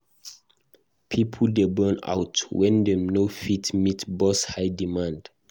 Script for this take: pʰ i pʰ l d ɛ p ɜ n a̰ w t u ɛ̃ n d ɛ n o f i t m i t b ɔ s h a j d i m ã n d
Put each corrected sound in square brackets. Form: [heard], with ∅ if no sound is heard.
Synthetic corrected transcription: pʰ i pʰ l d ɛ [b] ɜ n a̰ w t [w] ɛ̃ n d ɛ n o f i t m i t b ɔ s h a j d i m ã n d